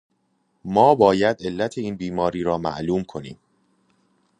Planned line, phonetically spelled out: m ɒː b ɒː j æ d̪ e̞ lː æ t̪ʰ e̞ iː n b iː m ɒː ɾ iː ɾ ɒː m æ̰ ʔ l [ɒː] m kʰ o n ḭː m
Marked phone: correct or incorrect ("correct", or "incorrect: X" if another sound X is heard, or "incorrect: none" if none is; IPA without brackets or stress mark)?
incorrect: uː